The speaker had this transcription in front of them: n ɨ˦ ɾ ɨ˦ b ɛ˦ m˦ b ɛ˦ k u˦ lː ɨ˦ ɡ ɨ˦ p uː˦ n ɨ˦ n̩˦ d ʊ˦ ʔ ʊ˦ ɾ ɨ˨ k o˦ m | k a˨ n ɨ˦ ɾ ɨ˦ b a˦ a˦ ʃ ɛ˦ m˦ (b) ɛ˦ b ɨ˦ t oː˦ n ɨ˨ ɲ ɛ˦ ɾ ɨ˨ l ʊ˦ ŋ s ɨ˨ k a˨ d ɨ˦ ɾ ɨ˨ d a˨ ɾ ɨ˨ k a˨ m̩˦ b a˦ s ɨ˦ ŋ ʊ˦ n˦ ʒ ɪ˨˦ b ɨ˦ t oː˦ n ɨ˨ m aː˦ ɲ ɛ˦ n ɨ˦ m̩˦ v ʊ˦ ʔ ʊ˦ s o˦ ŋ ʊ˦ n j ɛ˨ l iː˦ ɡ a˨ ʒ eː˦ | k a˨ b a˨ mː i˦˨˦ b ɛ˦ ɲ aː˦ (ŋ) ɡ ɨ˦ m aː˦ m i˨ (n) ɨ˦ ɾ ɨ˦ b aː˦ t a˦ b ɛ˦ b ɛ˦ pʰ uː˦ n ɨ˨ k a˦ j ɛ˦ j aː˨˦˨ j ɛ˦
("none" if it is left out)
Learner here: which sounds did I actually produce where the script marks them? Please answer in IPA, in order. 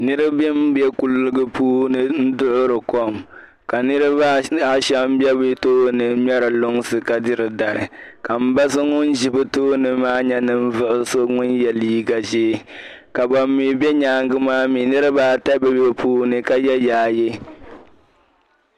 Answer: b, ŋ, n

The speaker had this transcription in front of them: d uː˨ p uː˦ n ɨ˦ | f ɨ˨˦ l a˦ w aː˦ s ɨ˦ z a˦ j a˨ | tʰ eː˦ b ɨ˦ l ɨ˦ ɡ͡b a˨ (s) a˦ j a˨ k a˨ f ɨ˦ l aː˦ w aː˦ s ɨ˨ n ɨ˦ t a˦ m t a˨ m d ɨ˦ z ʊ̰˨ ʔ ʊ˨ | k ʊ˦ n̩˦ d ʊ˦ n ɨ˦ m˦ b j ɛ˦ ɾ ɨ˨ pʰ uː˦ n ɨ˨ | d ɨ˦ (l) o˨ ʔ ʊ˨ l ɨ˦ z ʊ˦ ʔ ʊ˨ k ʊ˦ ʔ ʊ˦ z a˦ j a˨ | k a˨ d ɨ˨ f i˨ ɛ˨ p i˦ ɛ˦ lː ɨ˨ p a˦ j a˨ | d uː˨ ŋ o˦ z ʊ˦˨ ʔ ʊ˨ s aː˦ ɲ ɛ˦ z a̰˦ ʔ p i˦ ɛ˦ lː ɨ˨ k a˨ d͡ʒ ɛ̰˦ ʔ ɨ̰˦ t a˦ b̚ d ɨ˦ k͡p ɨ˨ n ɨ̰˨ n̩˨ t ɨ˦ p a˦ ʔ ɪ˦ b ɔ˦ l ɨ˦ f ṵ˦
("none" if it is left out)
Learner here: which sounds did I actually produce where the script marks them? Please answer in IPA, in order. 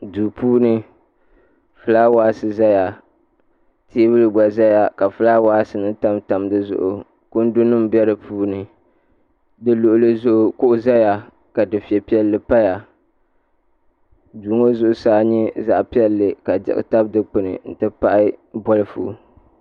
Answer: z, l

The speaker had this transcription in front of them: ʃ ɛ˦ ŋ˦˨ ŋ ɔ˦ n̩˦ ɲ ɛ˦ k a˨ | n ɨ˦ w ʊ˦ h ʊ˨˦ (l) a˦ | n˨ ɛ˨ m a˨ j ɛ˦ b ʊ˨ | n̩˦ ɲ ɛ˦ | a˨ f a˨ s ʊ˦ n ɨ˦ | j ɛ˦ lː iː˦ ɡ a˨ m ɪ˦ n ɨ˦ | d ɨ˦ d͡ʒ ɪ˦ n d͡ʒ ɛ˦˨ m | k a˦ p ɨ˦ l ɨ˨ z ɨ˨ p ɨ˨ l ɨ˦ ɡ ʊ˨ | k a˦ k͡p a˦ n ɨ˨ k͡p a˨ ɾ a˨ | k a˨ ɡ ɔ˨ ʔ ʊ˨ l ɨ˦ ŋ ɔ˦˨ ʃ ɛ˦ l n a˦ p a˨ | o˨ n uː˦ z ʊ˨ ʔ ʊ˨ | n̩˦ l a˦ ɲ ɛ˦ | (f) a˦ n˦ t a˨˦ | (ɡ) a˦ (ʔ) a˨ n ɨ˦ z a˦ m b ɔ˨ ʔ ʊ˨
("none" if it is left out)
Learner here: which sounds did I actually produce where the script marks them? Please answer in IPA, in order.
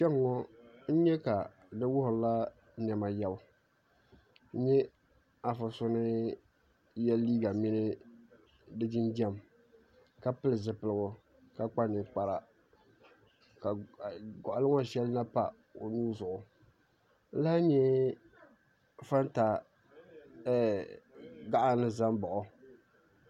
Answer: l, f, ɡ, ʔ

